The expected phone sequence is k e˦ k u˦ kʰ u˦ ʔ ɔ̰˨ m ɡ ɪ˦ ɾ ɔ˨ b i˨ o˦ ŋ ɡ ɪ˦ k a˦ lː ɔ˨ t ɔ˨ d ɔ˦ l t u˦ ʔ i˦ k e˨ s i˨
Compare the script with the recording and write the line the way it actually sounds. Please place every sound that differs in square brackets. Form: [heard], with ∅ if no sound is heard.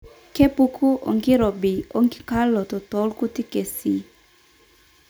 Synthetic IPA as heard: k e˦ [p] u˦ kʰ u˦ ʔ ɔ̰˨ [ŋ] ɡ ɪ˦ ɾ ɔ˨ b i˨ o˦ ŋ ɡ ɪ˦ k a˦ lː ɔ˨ t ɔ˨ [t] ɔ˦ l [k] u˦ [t] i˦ k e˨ s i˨

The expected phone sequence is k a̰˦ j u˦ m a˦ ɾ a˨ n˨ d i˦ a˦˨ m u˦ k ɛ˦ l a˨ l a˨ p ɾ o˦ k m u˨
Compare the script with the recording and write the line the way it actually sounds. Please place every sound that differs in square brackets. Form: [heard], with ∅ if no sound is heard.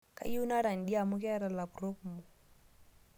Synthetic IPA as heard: k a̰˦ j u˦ [n] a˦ ɾ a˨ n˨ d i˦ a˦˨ m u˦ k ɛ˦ [ɾ] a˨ l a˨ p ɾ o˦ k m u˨

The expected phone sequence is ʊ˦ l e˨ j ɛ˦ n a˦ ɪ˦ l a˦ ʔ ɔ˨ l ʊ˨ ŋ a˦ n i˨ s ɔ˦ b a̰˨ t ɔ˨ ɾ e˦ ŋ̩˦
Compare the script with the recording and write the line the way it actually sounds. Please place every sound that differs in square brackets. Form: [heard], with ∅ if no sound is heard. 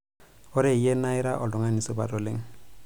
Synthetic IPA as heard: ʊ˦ [ɾ] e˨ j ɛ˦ n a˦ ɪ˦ [ɾ] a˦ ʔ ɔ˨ l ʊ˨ ŋ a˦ n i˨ s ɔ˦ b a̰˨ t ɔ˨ [l] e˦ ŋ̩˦

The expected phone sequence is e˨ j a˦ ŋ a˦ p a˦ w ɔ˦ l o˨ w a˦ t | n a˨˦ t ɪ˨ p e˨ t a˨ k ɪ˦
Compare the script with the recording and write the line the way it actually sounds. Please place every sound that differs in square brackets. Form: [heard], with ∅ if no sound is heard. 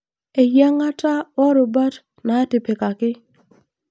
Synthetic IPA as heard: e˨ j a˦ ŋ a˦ [t] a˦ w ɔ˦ [ɾ] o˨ [b] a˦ t | n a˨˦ t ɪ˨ p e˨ [k] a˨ k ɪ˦

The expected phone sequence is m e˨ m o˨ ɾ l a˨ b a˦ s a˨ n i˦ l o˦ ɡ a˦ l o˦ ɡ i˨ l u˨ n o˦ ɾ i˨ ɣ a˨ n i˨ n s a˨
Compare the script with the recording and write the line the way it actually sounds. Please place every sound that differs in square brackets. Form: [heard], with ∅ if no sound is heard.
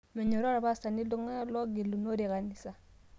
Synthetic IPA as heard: m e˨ [ɲ] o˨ ɾ [ɾ] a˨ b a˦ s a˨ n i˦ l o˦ [ŋ] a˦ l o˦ ɡ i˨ l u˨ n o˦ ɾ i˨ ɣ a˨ n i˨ [∅] s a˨

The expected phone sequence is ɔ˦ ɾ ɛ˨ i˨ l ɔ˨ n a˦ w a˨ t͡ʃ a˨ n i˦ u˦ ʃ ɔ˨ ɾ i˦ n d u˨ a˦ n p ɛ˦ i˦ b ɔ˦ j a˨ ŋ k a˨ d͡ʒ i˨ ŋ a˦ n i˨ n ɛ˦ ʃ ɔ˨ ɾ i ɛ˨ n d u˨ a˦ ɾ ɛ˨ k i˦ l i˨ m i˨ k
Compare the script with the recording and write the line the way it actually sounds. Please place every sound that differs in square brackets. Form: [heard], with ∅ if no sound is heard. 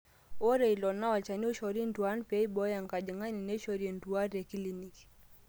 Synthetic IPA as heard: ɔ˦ ɾ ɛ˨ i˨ l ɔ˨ n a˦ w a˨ t͡ʃ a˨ n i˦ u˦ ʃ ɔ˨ ɾ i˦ n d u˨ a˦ n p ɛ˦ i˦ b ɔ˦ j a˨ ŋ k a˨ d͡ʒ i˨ ŋ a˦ n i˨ n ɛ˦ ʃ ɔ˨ ɾ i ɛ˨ n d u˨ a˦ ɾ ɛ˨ k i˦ l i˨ [n] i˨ k

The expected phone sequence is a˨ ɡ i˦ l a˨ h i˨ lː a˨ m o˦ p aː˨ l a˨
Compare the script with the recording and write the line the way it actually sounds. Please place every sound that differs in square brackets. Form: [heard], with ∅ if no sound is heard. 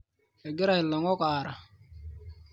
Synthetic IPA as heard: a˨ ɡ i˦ [ɾ] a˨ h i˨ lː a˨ [ŋ] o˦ [k] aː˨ [ɾ] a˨

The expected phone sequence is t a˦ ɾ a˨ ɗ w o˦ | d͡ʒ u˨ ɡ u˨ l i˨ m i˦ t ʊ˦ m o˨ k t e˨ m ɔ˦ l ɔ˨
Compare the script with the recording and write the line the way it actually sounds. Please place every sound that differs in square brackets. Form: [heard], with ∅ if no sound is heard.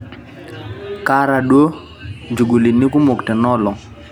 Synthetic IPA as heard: [k] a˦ ɾ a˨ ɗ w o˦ | d͡ʒ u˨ ɡ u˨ l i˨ [n] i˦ [k] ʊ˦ m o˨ k t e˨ [n] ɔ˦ l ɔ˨

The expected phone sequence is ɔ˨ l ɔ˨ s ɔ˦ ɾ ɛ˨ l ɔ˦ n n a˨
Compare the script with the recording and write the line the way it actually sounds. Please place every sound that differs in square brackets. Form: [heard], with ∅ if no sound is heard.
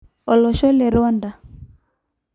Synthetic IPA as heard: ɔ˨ l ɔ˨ [ʃ] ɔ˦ [l] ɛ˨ [ɾ] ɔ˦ n [d] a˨

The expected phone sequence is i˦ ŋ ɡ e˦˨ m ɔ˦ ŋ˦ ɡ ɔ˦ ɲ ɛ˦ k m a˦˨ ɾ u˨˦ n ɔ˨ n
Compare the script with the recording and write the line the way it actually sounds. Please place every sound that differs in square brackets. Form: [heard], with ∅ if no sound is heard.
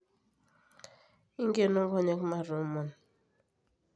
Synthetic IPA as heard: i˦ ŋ ɡ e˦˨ [n] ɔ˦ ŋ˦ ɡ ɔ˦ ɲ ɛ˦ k m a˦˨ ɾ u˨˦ [m] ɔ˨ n

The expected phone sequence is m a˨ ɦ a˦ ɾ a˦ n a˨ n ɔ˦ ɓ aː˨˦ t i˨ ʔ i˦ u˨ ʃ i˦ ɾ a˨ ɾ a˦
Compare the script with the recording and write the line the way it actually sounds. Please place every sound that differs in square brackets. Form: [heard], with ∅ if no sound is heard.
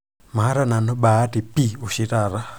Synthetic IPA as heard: m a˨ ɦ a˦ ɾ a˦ n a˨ n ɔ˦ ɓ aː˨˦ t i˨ [p] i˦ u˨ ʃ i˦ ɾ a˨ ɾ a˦

